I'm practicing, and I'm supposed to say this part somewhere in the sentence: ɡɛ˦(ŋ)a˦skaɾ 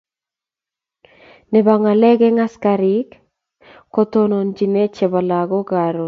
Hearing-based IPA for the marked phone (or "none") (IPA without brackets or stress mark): ŋ